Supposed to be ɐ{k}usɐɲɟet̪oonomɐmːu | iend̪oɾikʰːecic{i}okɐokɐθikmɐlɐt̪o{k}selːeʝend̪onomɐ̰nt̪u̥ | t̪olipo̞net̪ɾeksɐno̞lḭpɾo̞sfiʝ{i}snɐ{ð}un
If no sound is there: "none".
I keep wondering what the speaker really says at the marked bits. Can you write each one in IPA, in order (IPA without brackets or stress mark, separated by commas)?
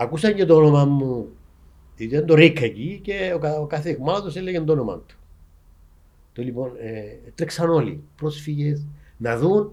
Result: k, e, none, e, ð